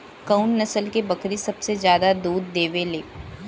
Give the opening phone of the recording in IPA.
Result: k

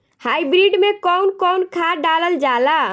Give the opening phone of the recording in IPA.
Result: h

